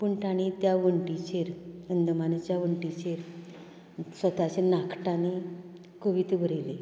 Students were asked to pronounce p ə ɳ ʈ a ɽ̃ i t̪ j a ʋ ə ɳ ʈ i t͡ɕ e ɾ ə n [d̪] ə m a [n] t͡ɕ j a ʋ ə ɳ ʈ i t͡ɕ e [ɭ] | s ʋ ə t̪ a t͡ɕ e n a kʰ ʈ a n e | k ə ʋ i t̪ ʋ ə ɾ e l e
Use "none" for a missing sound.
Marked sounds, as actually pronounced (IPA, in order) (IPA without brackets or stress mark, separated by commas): d̪, n, ɾ